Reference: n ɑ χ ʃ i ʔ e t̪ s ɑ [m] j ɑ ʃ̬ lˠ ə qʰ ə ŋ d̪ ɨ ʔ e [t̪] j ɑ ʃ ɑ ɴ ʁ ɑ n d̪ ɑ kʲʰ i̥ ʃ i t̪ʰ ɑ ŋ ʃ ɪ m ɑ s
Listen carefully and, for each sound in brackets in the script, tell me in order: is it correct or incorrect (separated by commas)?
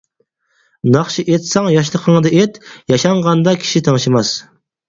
incorrect, correct